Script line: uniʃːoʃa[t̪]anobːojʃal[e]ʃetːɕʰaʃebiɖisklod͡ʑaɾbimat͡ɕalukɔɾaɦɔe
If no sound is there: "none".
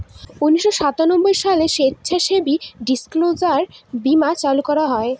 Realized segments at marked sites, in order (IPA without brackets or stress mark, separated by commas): t̪, e